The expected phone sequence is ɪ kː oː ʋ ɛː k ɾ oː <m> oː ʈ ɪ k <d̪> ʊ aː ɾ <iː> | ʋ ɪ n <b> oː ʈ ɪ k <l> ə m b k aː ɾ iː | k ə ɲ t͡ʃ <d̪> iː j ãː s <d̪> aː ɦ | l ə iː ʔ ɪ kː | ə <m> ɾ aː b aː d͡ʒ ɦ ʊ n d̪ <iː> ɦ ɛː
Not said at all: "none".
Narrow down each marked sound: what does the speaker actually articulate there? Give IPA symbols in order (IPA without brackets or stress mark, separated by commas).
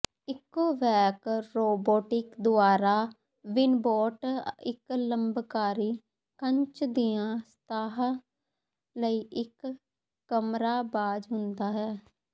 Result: b, d̪, aː, b, l, d̪, t̪, m, aː